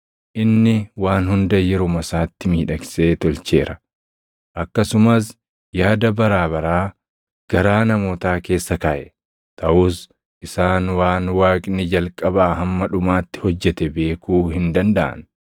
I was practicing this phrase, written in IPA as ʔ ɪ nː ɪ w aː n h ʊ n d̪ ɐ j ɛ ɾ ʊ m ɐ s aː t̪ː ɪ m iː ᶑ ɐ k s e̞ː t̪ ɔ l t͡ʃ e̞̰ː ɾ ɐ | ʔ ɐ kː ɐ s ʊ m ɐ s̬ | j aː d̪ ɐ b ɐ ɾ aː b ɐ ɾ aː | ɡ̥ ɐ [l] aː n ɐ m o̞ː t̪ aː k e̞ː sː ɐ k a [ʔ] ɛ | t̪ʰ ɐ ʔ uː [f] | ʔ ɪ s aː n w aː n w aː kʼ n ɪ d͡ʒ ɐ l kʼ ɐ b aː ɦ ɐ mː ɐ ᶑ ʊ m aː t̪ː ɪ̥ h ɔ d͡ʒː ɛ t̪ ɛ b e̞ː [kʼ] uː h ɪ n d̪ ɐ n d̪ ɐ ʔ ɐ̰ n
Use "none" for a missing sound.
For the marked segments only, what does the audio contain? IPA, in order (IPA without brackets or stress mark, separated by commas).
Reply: ɾ, ʔ, s, k